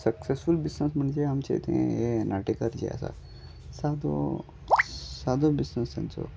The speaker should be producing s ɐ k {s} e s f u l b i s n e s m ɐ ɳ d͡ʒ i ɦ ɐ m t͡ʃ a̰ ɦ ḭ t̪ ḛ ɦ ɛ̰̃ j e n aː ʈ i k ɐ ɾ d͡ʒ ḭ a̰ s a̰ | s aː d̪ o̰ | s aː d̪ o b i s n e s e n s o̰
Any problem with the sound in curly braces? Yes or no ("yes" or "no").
no